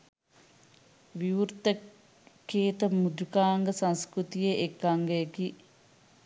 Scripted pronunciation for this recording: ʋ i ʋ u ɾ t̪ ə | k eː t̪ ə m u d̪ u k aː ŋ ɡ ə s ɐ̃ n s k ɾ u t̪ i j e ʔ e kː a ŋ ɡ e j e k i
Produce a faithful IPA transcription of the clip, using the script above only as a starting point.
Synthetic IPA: ʋ i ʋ u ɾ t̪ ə | k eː t̪ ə m u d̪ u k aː ŋ ɡ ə s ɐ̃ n s k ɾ u t̪ i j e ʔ e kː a ŋ ɡ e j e k i